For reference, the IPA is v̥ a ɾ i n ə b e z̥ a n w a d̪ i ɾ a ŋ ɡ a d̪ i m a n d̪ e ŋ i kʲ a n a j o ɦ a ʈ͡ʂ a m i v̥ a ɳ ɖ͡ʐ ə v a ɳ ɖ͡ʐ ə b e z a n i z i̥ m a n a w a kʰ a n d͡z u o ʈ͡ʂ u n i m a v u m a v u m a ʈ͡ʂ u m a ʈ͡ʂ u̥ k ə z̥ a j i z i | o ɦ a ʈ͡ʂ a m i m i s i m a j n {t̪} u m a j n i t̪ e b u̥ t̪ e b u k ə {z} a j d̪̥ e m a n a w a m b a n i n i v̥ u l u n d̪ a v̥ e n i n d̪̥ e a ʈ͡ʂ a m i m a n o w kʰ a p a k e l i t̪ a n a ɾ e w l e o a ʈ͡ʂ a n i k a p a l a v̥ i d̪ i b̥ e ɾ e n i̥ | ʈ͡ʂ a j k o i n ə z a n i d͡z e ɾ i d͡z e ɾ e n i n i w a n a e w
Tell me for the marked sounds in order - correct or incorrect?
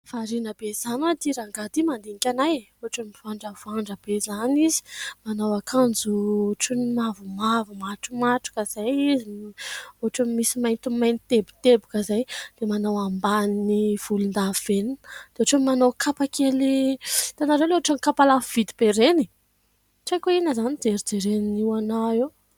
correct, correct

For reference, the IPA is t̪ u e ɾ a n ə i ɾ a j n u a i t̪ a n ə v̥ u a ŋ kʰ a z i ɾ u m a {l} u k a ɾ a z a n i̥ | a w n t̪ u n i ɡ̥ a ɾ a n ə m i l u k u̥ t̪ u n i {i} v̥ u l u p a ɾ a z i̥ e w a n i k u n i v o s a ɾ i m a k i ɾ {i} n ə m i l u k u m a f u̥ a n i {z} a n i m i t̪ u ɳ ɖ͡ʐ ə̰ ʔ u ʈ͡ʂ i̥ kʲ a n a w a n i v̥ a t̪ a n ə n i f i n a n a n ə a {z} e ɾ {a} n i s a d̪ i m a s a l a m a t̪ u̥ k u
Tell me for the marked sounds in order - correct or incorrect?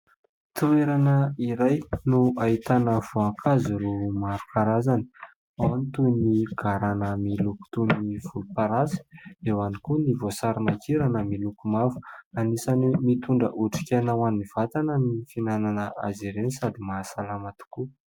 incorrect, correct, incorrect, incorrect, correct, incorrect

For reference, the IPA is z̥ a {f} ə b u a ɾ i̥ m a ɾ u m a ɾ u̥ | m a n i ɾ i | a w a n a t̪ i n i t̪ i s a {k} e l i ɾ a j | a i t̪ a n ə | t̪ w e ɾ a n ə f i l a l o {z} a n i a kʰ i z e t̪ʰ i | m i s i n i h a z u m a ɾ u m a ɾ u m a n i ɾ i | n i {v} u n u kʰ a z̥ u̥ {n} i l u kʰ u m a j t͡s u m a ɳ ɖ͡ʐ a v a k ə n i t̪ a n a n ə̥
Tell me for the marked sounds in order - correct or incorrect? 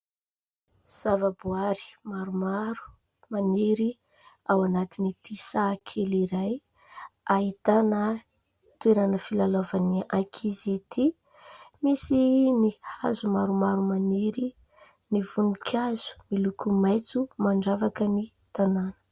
incorrect, incorrect, incorrect, correct, incorrect

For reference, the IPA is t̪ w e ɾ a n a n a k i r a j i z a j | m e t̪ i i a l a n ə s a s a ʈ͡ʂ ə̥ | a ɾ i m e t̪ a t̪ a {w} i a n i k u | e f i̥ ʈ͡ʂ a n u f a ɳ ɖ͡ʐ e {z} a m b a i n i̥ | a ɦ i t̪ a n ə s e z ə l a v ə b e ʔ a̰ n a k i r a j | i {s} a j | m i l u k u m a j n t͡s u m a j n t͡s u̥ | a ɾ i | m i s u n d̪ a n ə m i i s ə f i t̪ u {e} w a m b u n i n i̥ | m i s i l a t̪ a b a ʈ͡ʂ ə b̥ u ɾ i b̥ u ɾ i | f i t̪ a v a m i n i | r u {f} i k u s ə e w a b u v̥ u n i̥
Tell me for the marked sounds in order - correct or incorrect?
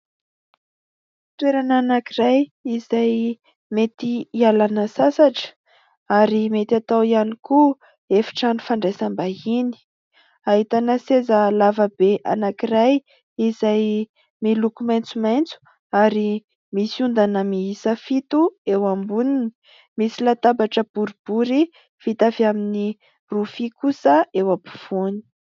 correct, incorrect, incorrect, correct, correct

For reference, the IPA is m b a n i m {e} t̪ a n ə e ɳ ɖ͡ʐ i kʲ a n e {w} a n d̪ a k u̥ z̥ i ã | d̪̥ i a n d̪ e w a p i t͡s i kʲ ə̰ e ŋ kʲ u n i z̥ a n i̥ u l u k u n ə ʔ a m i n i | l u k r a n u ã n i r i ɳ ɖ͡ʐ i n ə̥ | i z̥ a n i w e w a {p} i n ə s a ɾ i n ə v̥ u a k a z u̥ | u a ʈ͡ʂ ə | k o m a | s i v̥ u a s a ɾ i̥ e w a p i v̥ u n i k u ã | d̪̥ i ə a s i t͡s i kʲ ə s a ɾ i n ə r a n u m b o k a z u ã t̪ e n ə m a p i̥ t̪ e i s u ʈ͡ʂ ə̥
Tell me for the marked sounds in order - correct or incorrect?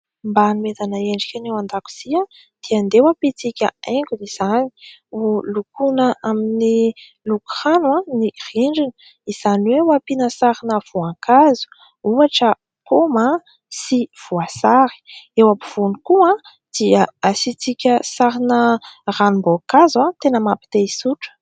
correct, correct, correct

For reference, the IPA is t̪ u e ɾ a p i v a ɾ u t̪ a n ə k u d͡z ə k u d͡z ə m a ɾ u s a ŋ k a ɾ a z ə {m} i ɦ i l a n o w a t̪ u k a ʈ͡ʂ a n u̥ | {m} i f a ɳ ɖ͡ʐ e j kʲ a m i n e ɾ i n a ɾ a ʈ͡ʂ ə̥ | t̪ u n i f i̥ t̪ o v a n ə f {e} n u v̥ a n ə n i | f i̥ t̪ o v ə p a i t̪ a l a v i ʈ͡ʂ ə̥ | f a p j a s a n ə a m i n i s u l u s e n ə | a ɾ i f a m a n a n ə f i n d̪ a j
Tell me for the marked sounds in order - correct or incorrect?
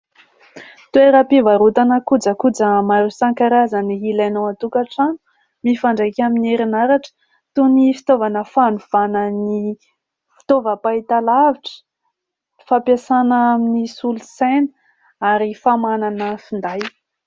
incorrect, correct, incorrect

